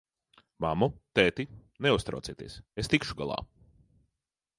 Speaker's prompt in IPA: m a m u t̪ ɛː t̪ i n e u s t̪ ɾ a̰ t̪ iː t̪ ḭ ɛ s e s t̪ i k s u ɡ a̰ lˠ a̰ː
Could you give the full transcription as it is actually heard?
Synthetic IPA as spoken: m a m u t̪ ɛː t̪ i n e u s t̪ ɾ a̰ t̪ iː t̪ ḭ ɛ s e s t̪ i k ʃ u ɡ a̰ lˠ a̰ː